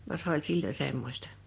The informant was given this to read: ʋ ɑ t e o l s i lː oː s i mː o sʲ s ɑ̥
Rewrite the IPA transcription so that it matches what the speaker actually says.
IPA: ʋ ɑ s e o l s i lː o s e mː o sʲ t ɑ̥